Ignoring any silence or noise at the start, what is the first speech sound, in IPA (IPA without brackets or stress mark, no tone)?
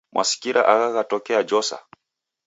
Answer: m